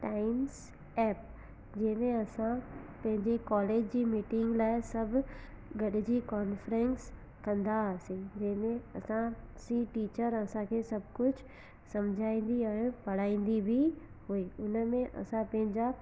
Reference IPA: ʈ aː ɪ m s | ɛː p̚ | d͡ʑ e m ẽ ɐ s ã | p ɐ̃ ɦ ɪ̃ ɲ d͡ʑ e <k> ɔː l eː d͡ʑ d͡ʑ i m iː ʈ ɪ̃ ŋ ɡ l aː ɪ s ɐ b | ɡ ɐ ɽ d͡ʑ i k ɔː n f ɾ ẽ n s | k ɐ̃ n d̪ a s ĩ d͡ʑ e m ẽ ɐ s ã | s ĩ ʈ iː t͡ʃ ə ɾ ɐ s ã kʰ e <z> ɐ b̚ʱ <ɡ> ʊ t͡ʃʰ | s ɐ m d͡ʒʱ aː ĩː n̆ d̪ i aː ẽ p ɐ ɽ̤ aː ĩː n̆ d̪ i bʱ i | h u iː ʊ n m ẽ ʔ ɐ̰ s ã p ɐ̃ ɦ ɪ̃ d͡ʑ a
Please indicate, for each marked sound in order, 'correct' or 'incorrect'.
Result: correct, incorrect, incorrect

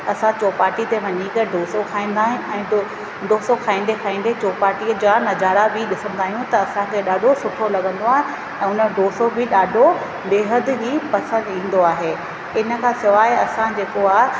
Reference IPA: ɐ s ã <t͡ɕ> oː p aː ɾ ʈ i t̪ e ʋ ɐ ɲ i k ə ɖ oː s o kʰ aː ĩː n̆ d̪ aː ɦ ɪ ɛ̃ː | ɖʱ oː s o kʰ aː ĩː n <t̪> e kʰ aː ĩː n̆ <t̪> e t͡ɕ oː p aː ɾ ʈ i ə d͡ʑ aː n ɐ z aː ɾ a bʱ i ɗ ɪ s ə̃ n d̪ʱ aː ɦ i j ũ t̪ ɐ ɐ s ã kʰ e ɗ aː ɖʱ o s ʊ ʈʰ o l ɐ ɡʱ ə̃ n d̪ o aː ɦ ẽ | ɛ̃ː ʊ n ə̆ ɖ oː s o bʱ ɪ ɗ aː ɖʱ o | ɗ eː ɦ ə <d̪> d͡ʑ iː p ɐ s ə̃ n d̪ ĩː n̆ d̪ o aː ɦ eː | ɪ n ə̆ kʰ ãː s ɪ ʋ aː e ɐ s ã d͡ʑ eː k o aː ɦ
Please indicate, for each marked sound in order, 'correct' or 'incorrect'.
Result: correct, incorrect, incorrect, correct

